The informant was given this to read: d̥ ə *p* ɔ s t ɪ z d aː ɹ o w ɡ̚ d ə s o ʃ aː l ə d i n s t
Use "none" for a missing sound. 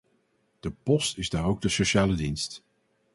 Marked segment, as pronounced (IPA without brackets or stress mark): p